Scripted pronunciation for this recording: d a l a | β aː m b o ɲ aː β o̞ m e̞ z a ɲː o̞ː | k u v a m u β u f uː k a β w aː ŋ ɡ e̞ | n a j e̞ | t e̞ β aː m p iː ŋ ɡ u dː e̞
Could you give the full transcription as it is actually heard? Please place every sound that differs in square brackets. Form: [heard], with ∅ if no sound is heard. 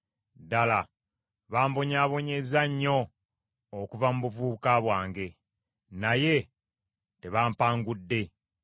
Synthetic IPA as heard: d a l a | β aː m b o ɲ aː β o̞ [ɲ] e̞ z a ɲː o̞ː | k u v a m u β u [v] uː k a β w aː ŋ ɡ e̞ | n a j e̞ | t e̞ β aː m p [aː] ŋ ɡ u dː e̞